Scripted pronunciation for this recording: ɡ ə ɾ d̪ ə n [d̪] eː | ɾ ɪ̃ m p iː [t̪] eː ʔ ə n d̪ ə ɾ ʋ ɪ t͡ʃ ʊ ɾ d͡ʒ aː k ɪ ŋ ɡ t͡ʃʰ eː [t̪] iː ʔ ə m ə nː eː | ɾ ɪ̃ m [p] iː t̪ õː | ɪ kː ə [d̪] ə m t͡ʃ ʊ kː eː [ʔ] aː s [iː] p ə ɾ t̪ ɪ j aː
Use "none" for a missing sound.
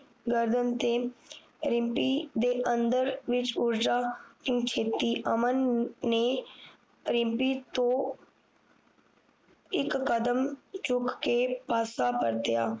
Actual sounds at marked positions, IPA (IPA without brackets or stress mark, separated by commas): t̪, d̪, t̪, p, d̪, p, aː